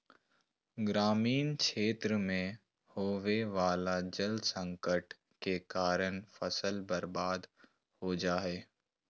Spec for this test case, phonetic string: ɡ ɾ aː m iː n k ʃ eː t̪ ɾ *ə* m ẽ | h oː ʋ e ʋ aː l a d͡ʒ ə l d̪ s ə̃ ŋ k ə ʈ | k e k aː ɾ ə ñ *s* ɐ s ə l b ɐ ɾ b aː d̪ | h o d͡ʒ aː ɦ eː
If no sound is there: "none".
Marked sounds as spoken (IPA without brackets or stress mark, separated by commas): ə, f